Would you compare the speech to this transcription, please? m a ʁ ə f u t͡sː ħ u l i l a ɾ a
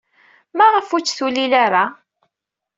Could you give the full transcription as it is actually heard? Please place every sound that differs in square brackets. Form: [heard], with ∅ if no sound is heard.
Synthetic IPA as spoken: m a ʁ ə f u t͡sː [θ] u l i l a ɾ a